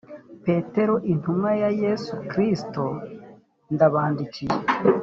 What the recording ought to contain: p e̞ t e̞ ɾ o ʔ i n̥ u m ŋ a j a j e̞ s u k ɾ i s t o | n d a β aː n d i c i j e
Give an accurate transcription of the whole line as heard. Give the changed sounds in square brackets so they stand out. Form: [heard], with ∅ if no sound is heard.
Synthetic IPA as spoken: p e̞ t e̞ ɾ o ʔ i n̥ u m ŋ a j a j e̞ s u k ɾ i s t o | n d a β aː n d i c i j e